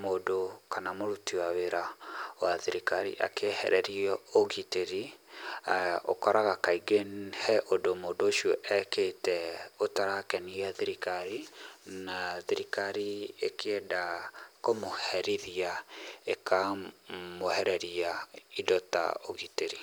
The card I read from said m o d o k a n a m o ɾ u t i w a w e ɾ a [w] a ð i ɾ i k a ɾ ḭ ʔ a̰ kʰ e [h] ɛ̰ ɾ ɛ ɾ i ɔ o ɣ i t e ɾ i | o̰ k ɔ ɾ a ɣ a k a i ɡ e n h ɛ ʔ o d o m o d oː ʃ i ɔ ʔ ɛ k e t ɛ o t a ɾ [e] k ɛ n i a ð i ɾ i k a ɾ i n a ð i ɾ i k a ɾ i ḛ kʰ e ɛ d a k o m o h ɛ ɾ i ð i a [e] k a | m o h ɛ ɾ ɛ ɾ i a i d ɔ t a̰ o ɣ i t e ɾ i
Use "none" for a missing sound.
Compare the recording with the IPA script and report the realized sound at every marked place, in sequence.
w, h, a, e

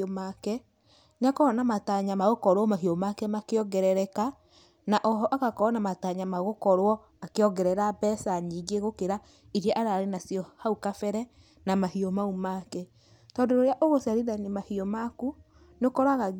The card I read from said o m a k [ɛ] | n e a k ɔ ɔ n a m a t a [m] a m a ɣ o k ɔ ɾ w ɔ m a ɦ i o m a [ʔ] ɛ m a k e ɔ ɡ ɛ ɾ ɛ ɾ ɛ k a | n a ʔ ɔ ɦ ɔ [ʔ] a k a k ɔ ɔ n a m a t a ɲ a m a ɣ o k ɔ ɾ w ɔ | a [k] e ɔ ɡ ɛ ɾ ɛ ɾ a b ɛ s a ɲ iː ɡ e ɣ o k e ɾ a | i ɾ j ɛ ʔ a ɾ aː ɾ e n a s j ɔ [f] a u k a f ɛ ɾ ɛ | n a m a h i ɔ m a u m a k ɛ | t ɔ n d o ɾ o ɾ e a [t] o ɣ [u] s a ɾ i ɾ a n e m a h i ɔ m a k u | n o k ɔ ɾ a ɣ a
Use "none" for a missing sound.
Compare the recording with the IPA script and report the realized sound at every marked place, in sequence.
ɛ, ɲ, k, ʔ, k, h, ʔ, o

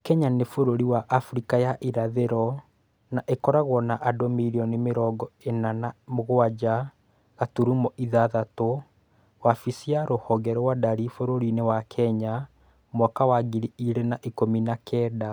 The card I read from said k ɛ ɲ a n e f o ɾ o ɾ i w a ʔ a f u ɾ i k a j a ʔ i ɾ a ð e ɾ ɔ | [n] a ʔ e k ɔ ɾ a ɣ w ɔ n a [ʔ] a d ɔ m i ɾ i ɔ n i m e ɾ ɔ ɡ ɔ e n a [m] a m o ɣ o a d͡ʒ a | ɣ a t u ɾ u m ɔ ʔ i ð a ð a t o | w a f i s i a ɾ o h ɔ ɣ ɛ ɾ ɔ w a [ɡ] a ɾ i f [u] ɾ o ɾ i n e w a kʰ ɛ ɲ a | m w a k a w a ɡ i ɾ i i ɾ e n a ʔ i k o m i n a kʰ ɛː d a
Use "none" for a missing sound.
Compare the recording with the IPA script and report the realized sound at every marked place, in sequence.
n, ʔ, n, d, o

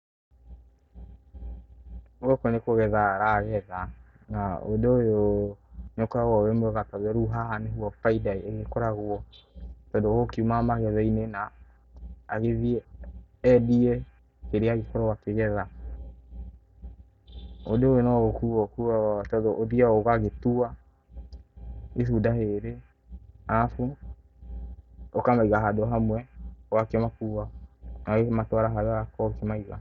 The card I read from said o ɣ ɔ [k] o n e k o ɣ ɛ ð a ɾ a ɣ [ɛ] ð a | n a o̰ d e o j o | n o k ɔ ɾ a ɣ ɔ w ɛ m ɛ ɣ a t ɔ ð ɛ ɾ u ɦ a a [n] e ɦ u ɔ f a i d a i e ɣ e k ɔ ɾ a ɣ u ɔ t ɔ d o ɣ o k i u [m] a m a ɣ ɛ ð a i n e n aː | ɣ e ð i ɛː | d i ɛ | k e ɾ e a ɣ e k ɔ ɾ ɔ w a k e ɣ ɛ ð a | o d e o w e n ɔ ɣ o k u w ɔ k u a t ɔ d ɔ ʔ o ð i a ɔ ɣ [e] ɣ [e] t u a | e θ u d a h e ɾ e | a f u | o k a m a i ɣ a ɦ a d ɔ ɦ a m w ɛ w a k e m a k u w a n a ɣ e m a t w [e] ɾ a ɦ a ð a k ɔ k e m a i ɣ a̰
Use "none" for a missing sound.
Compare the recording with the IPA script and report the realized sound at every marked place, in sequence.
k, ɛ, n, m, a, e, a

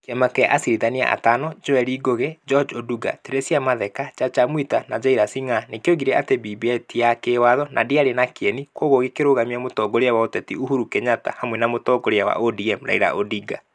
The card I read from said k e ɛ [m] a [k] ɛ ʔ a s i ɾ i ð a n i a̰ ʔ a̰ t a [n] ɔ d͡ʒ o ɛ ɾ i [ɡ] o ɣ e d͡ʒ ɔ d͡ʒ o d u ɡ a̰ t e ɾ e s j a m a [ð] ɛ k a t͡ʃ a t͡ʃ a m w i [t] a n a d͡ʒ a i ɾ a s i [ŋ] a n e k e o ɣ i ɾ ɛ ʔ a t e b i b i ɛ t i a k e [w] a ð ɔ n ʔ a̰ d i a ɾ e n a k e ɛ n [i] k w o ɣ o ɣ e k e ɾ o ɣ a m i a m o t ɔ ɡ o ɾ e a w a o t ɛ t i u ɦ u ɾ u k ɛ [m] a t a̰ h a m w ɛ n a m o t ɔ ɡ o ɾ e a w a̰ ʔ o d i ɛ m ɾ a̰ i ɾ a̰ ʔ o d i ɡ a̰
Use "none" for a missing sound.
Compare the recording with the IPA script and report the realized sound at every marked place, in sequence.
m, k, n, ɡ, ð, t, ŋ, w, i, ɲ

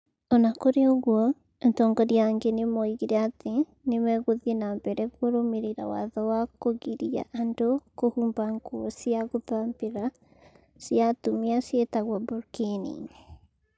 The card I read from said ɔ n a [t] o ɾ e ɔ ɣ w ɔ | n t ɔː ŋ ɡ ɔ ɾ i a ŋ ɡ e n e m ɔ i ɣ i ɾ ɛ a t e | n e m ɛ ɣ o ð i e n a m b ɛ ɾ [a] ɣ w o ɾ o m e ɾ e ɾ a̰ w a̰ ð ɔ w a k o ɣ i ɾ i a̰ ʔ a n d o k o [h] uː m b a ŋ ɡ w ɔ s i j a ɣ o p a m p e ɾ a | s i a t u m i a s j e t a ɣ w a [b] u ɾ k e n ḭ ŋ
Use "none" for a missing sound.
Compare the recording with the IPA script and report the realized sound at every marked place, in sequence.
k, ɛ, h, b

